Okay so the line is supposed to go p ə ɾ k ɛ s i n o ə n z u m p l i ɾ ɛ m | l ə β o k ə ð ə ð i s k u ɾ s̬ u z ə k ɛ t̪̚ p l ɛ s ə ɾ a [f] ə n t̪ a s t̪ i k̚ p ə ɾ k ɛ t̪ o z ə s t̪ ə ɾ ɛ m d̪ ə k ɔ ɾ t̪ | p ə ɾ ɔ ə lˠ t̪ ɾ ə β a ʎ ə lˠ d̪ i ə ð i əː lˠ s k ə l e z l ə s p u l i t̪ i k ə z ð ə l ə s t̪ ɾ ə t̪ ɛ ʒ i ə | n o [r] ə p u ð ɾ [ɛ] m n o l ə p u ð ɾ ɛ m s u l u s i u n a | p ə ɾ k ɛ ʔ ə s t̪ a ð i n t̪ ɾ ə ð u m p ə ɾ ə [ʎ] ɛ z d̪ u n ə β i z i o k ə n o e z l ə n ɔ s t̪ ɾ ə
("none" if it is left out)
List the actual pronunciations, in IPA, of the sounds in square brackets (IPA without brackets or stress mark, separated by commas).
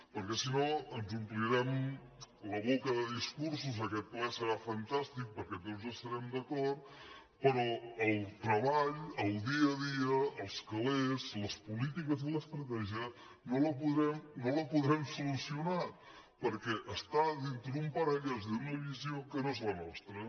f, l, ɛ, ʎ